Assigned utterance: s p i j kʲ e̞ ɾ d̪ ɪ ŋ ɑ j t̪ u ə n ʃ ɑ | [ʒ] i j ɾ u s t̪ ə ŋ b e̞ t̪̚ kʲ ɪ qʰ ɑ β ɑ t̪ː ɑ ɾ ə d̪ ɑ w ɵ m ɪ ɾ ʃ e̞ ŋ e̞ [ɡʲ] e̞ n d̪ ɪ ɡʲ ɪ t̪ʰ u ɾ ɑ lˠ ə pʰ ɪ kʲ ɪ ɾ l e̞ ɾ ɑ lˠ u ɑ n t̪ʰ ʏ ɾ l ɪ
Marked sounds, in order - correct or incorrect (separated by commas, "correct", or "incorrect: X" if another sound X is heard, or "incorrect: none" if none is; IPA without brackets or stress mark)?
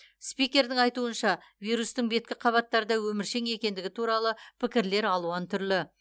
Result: incorrect: v, incorrect: kʲ